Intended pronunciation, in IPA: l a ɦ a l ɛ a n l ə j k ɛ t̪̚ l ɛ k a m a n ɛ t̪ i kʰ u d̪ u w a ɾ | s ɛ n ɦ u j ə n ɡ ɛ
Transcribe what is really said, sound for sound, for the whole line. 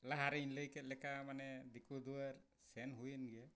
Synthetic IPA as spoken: l a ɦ a ɾ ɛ i n l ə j k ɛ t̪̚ l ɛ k a m a n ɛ d̪ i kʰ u d̪ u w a ɾ | s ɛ n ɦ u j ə n ɡ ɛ

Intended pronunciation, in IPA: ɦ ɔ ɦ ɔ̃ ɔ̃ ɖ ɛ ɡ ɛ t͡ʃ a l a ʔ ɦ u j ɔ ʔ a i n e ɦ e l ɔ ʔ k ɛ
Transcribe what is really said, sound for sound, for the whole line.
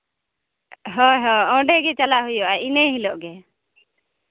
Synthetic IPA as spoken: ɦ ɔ ɦ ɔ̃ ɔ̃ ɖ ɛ ɡ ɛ t͡ʃ a l a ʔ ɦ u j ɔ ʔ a i n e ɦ i l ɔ ʔ ɡ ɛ

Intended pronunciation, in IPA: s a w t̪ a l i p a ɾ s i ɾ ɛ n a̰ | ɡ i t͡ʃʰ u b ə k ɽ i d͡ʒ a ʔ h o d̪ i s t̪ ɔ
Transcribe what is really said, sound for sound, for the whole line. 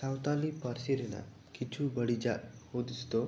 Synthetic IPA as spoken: s a w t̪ a l i p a ɾ s i ɾ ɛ n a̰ | k i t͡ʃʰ u b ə ɽ i d͡ʒ a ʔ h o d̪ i s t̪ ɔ

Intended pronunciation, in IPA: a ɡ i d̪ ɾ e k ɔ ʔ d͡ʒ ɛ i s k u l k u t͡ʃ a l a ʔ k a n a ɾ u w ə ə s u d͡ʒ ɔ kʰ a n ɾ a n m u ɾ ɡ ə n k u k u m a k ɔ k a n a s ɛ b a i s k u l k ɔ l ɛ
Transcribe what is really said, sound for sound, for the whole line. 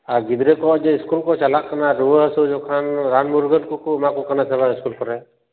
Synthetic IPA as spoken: a ɡ i d̪ ɾ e k ɔ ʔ d͡ʒ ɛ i s k u l k ɔ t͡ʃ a l a ʔ k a n a ɾ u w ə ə s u d͡ʒ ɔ kʰ a n ɾ a n m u ɾ ɡ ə n k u k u m a k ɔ k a n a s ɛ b a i s k u l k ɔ ɾ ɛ

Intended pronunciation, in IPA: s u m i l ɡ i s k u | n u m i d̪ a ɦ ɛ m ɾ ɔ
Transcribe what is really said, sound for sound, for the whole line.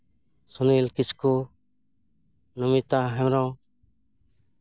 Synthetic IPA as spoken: s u n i l k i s k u | n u m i t̪ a ɦ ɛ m ɾ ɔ

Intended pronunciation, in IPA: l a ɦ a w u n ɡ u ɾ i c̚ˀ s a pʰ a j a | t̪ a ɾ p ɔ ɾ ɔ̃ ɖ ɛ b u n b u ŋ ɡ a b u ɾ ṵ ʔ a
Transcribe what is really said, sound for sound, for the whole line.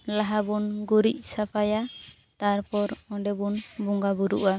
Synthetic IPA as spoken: l a ɦ a b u n ɡ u ɾ i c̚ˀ s a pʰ a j a | t̪ a ɾ p ɔ ɾ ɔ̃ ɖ ɛ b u n b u ŋ ɡ a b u ɾ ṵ ʔ a

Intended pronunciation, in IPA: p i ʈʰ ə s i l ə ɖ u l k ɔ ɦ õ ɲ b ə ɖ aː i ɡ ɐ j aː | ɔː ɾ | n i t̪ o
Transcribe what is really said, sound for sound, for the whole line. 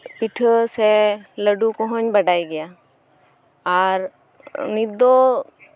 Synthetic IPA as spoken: p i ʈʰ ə s e l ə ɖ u k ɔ ɦ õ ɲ b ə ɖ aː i ɡ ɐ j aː | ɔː ɾ | n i d̪ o

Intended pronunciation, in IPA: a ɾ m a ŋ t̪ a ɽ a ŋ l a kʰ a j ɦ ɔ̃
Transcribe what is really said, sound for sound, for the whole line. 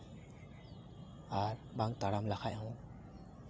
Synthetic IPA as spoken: a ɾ b a ŋ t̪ a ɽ a m l a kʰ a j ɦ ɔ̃

